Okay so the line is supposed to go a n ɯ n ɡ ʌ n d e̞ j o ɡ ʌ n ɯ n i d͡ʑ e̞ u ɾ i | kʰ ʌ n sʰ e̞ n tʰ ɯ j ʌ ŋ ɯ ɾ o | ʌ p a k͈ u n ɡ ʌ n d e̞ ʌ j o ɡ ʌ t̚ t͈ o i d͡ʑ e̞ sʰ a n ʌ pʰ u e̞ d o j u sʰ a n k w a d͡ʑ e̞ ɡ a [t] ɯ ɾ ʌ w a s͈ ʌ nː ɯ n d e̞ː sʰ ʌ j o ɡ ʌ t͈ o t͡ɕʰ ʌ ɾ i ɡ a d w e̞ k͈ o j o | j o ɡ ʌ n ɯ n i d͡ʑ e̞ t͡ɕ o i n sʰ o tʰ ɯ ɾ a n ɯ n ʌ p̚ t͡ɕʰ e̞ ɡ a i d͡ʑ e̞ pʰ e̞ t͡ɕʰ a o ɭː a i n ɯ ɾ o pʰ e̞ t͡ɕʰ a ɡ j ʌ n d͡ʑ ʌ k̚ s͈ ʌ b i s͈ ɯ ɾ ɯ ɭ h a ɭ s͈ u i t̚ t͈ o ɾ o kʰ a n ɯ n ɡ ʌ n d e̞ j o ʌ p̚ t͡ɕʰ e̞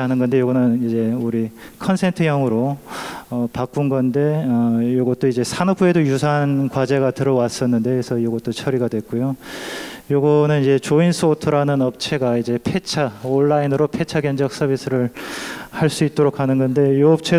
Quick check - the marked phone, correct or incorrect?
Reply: correct